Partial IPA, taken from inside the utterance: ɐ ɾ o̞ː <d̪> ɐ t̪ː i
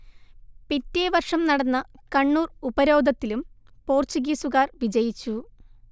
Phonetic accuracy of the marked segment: correct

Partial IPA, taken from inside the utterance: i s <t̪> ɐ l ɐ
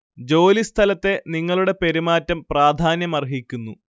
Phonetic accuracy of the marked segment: incorrect: t̪ʰ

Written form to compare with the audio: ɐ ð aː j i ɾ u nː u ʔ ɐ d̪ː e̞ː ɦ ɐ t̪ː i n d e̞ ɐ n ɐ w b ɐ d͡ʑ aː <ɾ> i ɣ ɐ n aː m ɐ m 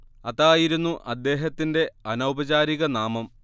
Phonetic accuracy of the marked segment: correct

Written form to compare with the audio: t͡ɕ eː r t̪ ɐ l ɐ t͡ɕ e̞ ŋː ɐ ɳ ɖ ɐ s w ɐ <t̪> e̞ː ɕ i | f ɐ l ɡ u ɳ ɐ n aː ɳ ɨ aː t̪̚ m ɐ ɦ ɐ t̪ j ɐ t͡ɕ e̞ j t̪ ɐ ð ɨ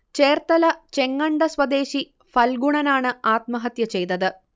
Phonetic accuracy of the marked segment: incorrect: d̪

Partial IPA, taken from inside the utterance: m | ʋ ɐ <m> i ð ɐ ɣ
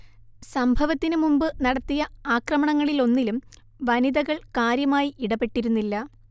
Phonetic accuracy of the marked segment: incorrect: n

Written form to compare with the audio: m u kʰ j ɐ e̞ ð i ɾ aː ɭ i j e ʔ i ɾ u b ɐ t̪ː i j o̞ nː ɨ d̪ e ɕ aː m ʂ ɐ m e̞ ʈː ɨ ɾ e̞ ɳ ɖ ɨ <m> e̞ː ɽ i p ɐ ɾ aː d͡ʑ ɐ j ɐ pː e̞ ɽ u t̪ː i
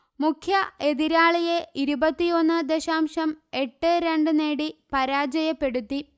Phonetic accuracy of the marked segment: incorrect: n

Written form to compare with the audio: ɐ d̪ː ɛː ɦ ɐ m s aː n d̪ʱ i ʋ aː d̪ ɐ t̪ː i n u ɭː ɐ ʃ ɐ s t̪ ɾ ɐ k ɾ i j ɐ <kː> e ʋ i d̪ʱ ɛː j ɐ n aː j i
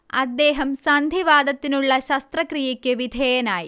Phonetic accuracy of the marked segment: correct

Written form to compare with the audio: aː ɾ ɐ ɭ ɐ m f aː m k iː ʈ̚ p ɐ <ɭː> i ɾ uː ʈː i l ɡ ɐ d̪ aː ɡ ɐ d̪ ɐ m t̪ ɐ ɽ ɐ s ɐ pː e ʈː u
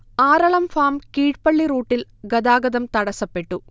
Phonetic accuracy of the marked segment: correct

